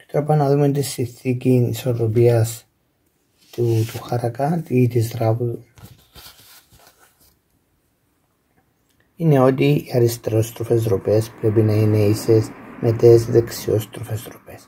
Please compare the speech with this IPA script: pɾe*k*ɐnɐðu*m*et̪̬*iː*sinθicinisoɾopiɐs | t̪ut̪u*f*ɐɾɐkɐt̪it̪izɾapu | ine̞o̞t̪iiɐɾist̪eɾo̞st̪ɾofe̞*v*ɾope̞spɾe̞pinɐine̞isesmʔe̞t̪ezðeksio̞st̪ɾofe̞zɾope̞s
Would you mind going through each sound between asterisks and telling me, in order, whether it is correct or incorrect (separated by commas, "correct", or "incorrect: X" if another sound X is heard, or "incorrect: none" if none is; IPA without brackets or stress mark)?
incorrect: p, correct, incorrect: i, incorrect: x, incorrect: z